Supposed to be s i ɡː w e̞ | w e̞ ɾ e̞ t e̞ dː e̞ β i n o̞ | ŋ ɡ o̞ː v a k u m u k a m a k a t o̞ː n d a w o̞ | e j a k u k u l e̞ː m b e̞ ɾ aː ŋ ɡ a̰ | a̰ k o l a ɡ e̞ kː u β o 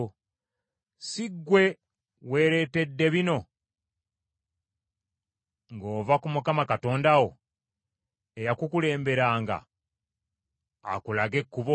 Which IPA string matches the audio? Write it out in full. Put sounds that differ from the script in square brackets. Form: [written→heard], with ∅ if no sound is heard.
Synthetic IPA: s i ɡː w e̞ | w e̞ ɾ e̞ t e̞ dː e̞ β i n o̞ | ŋ ɡ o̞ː v a k u m u k a m a k a t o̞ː n d a w o̞ | e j a k u k u l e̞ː m b e̞ ɾ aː ŋ ɡ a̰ | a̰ k [o→u] l a ɡ e̞ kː u β o